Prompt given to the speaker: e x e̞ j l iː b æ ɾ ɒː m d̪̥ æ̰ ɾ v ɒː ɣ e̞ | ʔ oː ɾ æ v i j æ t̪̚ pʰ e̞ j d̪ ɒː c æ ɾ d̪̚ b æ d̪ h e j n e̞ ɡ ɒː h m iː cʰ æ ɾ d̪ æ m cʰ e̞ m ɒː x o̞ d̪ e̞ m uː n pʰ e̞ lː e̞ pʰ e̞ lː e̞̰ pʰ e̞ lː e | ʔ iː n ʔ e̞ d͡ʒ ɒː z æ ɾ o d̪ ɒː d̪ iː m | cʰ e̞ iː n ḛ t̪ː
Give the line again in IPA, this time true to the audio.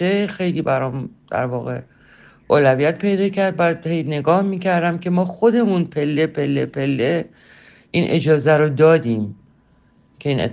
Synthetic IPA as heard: e x e̞ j l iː b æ ɾ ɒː m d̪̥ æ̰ ɾ v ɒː ɣ e̞ | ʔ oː l æ v i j æ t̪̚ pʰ e̞ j d̪ ɒː c æ ɾ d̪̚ b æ d̪ h e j n e̞ ɡ ɒː h m iː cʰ æ ɾ d̪ æ m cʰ e̞ m ɒː x o̞ d̪ e̞ m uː n pʰ e̞ lː e̞ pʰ e̞ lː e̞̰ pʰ e̞ lː e | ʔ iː n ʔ e̞ d͡ʒ ɒː z æ ɾ o d̪ ɒː d̪ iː m | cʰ e̞ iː n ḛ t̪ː